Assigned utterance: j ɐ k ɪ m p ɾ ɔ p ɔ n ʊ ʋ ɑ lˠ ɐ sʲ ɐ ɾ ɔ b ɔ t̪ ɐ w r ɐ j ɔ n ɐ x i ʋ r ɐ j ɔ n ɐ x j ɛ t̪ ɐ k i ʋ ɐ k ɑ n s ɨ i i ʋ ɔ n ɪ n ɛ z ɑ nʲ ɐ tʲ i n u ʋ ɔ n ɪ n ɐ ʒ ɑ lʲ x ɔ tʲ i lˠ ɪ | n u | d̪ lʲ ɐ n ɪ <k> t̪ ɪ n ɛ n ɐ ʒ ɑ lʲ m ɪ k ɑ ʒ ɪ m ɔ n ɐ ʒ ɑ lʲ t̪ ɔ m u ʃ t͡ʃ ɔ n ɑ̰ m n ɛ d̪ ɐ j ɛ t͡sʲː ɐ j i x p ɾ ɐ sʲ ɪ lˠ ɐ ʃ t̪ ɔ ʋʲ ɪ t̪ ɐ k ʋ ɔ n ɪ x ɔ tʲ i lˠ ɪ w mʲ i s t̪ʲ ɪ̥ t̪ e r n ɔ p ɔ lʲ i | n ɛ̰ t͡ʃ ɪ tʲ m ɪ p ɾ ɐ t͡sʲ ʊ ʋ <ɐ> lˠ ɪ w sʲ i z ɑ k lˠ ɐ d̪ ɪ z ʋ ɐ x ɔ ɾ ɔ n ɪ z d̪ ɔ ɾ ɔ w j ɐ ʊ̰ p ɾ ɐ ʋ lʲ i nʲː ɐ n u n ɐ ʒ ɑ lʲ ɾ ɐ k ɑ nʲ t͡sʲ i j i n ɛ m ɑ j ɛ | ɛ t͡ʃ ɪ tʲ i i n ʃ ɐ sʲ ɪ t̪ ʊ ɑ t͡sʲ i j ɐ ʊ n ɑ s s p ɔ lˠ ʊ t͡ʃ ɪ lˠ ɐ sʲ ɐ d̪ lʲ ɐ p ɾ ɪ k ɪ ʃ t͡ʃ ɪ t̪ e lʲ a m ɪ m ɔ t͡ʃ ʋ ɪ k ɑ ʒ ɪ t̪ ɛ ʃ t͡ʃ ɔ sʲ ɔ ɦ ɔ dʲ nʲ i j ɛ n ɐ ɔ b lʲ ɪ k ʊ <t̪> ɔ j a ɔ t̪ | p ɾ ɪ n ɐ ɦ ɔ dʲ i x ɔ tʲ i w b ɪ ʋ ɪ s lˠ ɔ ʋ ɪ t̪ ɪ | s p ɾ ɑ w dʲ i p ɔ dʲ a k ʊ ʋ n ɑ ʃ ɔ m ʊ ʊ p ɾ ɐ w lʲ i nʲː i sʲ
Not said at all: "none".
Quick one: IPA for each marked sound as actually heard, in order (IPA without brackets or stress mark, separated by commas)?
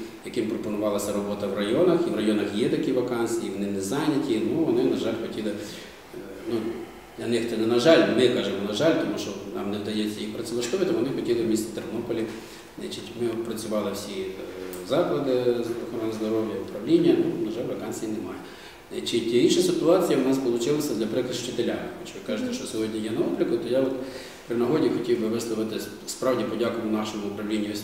x, ɑ, t̪